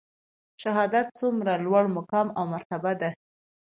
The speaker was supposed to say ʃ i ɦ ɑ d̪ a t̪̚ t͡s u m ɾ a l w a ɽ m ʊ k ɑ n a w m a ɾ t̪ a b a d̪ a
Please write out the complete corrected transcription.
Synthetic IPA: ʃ a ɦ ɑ d̪ a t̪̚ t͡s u m ɾ a l w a ɽ m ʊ k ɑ m a w m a ɾ t̪ a b a d̪ a